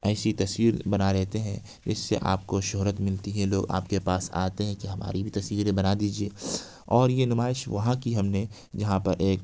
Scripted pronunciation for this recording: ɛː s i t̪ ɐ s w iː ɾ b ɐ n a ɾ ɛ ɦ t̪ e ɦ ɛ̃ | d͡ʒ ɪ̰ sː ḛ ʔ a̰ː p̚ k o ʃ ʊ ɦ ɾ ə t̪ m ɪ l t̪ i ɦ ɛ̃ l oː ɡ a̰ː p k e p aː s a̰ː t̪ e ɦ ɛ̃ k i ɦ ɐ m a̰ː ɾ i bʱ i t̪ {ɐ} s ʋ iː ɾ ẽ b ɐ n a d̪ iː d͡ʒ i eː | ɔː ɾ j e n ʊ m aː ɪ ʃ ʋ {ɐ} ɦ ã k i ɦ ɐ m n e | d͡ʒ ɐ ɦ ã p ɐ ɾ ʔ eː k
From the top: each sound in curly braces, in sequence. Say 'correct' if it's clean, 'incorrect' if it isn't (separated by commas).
correct, correct